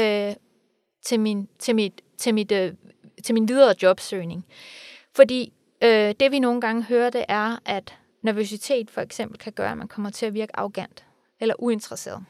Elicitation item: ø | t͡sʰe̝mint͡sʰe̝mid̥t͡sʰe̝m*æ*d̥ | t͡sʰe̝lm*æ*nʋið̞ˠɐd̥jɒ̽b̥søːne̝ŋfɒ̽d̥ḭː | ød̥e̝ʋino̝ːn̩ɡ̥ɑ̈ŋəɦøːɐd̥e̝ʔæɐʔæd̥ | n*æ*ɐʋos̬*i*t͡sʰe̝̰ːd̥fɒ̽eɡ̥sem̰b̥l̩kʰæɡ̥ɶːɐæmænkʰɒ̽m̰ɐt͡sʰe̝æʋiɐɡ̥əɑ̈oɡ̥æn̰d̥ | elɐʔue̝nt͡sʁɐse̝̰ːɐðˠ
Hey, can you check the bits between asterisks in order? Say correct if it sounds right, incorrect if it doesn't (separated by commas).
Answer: incorrect, incorrect, correct, correct